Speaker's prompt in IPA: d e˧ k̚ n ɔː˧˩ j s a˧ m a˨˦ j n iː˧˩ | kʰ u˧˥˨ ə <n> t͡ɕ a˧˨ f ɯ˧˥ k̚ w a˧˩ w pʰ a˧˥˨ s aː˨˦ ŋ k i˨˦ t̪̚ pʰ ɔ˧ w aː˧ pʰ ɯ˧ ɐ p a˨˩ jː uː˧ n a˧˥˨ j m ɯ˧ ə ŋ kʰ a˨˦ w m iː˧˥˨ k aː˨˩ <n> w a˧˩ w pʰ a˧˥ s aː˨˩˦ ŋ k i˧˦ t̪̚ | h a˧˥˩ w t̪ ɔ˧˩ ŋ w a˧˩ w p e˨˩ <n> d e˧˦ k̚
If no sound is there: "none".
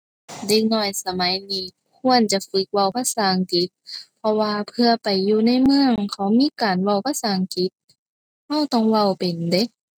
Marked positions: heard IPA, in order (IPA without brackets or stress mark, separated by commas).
n, n, n